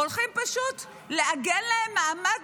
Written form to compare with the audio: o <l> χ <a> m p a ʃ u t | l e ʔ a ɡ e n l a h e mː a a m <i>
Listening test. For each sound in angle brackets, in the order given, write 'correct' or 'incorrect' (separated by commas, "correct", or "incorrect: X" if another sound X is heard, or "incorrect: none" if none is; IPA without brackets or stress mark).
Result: correct, incorrect: i, incorrect: a